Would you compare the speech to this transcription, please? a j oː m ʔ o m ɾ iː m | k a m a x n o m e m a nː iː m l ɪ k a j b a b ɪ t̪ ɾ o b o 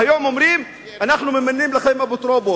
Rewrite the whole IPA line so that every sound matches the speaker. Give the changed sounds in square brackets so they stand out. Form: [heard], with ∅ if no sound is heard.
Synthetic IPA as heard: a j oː m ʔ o m ɾ iː m | [ʔ] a [n] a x n [u] m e m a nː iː m l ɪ [x] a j [m] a b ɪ t̪ ɾ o b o